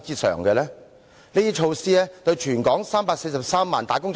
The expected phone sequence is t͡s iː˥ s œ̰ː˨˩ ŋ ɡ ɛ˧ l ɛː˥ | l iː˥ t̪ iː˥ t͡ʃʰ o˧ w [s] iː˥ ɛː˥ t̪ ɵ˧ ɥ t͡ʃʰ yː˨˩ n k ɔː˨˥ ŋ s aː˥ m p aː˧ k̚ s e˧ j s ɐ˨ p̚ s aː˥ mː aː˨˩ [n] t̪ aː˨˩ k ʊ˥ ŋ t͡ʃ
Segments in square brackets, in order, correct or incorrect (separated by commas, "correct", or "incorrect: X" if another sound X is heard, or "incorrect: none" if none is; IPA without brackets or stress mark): correct, correct